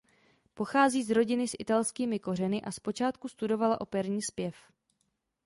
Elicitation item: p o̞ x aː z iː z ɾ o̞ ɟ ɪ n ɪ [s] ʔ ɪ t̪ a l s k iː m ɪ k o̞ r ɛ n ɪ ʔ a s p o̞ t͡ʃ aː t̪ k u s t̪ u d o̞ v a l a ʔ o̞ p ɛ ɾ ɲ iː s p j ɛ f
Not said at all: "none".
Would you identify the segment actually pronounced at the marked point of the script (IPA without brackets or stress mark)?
s